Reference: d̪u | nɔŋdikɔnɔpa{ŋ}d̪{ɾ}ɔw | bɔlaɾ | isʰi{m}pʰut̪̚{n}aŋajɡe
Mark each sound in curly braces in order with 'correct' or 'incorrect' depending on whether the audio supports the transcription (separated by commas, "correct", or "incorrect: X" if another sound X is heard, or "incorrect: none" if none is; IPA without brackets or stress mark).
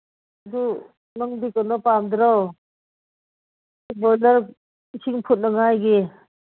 incorrect: m, correct, incorrect: ŋ, correct